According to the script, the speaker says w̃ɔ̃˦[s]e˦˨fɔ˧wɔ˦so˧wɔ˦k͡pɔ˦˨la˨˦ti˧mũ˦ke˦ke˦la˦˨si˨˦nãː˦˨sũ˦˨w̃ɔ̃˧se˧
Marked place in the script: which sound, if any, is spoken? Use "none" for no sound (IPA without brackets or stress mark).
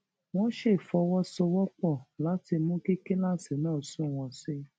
ʃ